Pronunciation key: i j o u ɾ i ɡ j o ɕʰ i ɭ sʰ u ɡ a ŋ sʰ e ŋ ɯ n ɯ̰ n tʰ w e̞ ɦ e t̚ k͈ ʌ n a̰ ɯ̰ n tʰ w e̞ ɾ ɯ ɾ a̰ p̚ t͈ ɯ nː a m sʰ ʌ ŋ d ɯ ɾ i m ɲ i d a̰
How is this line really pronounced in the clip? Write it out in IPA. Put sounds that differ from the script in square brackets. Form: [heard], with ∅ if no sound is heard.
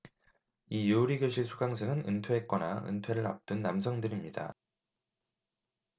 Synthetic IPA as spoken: i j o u ɾ i ɡ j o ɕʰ i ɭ sʰ u ɡ a ŋ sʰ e ŋ ɯ n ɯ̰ n tʰ w e̞ ɦ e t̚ k͈ ʌ n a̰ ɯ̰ n tʰ w e̞ ɾ ɯ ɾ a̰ p̚ t͈ ɯ nː a m sʰ ʌ ŋ d ɯ ɾ i m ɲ i d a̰